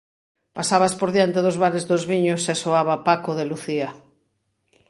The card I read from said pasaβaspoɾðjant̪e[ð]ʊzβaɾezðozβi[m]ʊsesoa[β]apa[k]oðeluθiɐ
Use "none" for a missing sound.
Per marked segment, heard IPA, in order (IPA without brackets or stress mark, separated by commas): ð, ɲ, β, k